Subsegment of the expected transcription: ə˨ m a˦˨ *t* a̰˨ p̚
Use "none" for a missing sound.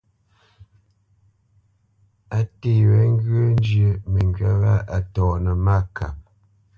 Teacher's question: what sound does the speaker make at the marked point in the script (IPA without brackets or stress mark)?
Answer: k